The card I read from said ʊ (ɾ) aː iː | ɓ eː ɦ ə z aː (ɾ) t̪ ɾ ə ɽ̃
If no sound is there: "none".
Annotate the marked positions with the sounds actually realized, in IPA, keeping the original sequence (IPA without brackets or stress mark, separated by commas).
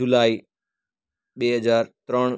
l, ɾ